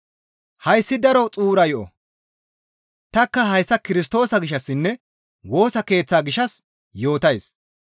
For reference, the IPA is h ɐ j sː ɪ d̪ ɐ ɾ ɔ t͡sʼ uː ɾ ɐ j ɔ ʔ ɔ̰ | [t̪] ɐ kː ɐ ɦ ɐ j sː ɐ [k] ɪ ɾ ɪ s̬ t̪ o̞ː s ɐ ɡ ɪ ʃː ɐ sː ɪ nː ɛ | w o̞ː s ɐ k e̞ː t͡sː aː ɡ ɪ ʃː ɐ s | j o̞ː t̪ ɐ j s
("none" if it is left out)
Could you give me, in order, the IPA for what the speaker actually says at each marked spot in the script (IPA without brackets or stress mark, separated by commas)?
t̪, k